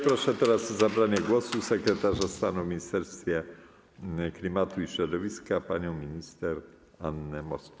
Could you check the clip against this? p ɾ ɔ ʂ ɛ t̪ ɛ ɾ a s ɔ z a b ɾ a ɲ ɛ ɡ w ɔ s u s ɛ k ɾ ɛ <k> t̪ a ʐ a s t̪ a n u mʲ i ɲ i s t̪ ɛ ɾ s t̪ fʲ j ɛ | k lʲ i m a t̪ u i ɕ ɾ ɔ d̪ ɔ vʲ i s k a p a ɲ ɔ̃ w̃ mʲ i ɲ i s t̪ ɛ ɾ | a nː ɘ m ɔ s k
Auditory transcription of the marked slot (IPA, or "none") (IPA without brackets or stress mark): none